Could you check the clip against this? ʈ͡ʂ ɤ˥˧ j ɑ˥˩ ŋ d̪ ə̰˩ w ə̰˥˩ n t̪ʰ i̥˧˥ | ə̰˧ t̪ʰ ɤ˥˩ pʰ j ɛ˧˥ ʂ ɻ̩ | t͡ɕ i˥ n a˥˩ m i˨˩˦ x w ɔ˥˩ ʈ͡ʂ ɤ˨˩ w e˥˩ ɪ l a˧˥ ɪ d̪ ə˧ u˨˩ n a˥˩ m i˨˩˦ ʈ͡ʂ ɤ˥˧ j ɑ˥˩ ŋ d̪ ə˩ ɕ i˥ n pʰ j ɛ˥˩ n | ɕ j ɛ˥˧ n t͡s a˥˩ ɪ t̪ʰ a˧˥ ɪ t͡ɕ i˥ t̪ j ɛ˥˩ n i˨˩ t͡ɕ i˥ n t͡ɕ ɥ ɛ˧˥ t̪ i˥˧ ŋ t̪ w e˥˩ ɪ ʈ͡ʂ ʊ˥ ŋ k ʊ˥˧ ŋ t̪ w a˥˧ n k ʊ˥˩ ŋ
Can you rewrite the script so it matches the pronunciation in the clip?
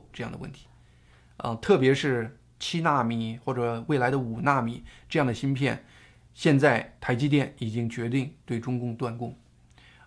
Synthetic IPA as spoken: ʈ͡ʂ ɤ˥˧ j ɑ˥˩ ŋ d̪ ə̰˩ w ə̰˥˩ n t̪ʰ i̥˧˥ | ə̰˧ t̪ʰ ɤ˥˩ p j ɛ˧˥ ʂ ɻ̩ | t͡ɕʰ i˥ n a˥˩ m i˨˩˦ x w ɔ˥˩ ʈ͡ʂ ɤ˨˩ w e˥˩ ɪ l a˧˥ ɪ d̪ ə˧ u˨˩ n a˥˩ m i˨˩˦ ʈ͡ʂ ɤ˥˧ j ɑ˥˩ ŋ d̪ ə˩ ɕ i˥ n pʰ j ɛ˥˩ n | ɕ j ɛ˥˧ n t͡s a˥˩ ɪ t̪ʰ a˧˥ ɪ t͡ɕ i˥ t̪ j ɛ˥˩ n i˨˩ t͡ɕ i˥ ŋ t͡ɕ ɥ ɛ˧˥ t̪ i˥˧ ŋ t̪ w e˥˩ ɪ ʈ͡ʂ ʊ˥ ŋ k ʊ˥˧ ŋ t̪ w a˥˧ n k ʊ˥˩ ŋ